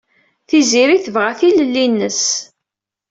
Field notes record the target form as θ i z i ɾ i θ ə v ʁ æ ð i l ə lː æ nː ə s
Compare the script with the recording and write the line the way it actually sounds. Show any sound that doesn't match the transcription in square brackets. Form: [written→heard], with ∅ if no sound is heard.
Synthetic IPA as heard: θ i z i ɾ i θ ə v ʁ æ [ð→θ] i l ə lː [æ→i] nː ə s